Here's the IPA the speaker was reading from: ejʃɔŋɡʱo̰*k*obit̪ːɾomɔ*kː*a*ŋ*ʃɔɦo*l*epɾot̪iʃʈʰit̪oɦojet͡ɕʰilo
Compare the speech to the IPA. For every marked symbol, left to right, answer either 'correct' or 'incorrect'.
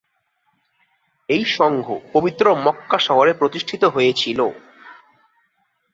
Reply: incorrect: p, correct, incorrect: none, incorrect: ɾ

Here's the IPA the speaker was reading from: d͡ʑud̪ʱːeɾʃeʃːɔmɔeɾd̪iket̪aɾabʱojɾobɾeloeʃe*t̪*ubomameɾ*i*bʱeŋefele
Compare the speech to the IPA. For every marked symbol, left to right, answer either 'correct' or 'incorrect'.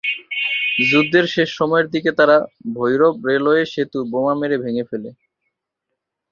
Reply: correct, incorrect: e

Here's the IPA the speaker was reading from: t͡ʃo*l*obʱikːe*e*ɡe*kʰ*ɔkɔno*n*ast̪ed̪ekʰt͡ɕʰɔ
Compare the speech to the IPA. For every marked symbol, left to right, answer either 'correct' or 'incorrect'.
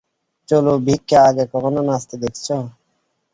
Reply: correct, incorrect: a, incorrect: k, correct

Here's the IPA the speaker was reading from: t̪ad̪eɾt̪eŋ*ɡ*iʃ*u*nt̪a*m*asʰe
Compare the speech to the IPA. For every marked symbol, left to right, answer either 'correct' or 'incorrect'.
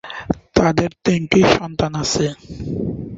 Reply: incorrect: k, incorrect: ɔ, incorrect: n

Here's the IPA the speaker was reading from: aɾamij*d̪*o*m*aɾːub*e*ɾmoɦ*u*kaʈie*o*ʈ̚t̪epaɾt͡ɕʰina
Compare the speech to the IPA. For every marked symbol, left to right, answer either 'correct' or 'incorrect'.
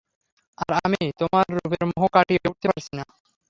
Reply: incorrect: t̪, correct, correct, incorrect: o, incorrect: u

